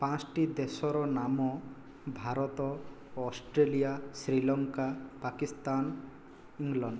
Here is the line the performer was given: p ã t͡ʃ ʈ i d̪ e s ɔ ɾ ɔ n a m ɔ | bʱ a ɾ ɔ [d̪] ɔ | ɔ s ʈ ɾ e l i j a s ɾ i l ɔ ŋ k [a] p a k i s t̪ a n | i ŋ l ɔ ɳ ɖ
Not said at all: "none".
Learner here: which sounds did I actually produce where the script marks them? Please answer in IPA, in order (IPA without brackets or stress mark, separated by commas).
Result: t̪, a